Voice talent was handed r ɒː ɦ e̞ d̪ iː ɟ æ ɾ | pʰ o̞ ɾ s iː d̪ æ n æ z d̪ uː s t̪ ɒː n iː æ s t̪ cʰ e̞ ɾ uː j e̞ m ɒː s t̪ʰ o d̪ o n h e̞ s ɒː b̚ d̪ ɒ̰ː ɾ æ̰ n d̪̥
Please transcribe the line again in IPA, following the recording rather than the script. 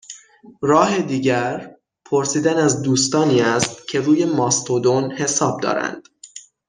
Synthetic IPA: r ɒː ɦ e̞ d̪ iː ɟ æ ɾ | pʰ o̞ ɾ s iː d̪ æ n æ z d̪ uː s t̪ ɒː n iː æ s t̪ cʰ e̞ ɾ uː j e̞ m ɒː s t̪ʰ o d̪ o n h e̞ s ɒː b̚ d̪ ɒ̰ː ɾ æ̰ n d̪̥